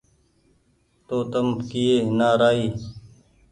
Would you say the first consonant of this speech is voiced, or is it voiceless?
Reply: voiceless